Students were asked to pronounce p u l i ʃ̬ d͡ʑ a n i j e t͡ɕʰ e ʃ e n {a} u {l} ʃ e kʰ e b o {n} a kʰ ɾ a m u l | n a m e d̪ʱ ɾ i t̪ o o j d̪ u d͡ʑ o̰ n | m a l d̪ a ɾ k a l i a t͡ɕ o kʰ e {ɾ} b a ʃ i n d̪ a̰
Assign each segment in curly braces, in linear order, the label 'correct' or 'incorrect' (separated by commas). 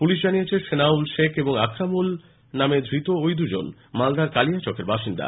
correct, correct, incorrect, correct